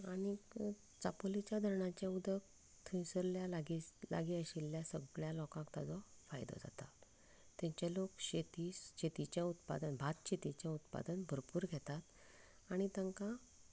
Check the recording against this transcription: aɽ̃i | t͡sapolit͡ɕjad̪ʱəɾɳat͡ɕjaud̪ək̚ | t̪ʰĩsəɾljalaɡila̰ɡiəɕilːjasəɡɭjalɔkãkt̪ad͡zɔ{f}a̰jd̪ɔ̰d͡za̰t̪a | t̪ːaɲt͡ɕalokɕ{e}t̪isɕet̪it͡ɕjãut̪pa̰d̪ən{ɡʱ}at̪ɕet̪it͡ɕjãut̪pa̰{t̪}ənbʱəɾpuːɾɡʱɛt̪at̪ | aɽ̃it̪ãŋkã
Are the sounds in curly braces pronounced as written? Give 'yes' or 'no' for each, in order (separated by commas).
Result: yes, yes, no, no